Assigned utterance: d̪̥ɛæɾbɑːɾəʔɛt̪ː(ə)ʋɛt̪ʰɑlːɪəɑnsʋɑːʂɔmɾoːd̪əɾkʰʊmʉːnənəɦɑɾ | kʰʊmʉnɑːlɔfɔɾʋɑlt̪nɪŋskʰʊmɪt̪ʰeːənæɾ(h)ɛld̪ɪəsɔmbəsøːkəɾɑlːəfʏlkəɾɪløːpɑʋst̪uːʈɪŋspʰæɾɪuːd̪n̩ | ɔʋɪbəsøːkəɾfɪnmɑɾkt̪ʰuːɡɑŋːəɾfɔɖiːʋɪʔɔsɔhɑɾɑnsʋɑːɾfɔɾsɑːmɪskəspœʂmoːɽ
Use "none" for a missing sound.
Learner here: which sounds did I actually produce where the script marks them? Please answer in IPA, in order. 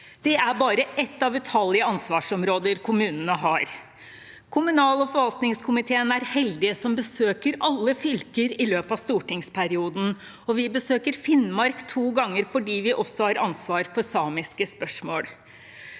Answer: ɑ, h

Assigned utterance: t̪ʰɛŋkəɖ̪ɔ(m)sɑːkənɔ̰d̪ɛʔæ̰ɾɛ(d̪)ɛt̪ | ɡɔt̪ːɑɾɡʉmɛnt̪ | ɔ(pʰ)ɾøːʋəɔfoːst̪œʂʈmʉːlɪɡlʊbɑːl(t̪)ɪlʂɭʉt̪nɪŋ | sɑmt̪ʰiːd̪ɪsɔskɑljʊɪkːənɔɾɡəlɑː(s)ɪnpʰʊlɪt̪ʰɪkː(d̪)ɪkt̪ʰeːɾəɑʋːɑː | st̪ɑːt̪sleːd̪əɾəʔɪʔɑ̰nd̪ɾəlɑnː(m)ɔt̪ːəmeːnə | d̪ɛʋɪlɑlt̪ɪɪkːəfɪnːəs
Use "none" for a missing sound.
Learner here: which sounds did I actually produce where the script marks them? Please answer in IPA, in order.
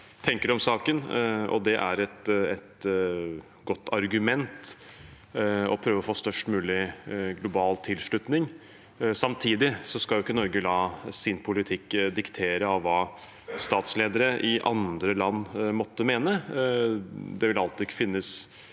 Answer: m, t̪, pʰ, t̪ʰ, s, d̪, m

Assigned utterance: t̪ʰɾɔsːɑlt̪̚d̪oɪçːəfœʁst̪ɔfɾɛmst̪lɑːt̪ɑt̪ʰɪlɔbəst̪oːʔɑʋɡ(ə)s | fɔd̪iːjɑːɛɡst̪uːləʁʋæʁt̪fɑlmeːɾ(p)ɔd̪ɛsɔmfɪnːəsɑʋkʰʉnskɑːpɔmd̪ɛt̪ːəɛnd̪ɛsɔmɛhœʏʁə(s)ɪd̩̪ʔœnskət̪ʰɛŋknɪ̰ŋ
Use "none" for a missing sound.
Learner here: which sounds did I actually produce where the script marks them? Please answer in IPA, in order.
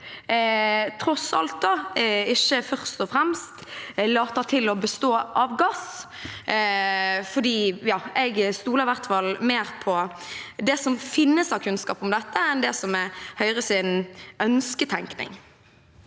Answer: ɑ, pʰ, s

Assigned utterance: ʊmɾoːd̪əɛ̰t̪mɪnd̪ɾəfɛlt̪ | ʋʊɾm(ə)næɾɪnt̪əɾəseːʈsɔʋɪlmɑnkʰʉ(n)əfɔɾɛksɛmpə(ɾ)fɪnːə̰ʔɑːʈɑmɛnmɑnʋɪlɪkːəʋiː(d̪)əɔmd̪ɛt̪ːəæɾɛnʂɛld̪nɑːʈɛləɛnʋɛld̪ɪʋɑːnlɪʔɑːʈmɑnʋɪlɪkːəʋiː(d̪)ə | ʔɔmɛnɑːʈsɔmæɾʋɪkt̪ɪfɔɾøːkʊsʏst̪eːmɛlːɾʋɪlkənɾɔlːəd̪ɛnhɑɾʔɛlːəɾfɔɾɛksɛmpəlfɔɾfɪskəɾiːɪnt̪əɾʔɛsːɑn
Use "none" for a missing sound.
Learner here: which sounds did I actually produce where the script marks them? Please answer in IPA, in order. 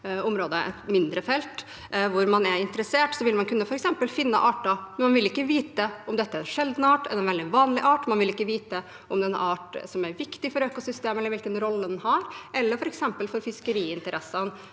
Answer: ɑ, nː, l, t̪, t̪

